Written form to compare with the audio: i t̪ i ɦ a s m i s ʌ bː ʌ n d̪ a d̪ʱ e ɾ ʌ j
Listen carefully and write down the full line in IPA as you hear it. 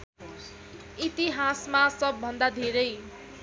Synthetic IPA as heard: i t̪ i ɦ a s m a s ʌ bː ʌ n d̪ a d̪ʱ e ɾ ʌ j